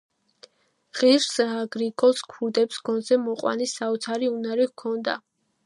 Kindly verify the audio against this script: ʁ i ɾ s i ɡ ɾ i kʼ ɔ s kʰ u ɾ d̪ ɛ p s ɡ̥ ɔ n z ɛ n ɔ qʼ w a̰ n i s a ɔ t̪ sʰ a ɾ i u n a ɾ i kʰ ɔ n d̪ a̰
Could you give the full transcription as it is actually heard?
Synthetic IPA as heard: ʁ i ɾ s a ɡ ɾ i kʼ ɔ s kʰ u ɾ d̪ ɛ p s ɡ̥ ɔ n z ɛ m ɔ qʼ w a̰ n i s a ɔ t̪ sʰ a ɾ i u n a ɾ i kʰ ɔ n d̪ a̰